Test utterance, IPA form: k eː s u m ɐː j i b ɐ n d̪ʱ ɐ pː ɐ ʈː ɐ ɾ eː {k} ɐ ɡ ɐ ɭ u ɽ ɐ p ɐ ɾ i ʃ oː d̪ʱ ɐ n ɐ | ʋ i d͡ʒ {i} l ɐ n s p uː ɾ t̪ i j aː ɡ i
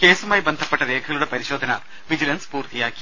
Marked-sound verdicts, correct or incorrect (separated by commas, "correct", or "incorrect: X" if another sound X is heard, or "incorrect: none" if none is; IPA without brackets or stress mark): incorrect: kʰ, correct